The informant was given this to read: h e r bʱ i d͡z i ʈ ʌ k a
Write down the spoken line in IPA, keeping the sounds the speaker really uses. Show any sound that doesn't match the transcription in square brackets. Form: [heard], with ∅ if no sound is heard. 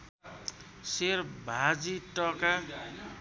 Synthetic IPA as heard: [s] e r bʱ [a] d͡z i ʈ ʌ k a